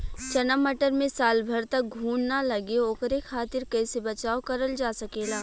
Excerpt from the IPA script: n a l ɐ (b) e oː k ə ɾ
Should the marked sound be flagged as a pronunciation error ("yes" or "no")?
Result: yes